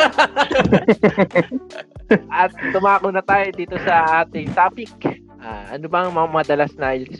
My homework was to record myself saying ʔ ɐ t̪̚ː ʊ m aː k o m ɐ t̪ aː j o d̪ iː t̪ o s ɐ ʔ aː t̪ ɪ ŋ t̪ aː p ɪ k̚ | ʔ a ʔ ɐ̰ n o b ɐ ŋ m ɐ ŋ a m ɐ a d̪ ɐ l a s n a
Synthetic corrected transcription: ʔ ɐ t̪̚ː ʊ m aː k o n ɐ t̪ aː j o d̪ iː t̪ o s ɐ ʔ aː t̪ ɪ ŋ t̪ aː p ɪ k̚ | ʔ a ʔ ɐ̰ n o b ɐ ŋ m ɐ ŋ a m ɐ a d̪ ɐ l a s n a